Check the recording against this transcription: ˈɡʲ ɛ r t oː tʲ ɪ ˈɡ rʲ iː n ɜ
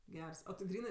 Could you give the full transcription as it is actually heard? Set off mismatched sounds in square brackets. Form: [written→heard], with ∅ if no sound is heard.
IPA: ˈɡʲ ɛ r [t→s] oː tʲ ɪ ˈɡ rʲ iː n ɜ